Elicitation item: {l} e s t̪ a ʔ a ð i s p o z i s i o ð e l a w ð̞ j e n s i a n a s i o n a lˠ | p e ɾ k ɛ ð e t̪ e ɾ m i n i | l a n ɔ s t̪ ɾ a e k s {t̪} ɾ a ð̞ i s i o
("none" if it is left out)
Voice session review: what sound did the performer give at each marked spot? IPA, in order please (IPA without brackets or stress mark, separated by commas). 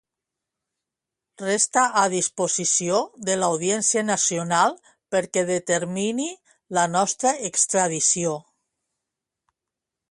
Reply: r, t̪